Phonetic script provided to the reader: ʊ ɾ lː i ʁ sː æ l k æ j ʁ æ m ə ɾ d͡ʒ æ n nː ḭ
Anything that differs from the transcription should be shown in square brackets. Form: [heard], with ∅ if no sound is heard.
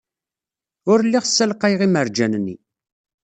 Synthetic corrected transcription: ʊ ɾ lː i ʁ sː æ l [q] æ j ʁ [i] m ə ɾ d͡ʒ æ n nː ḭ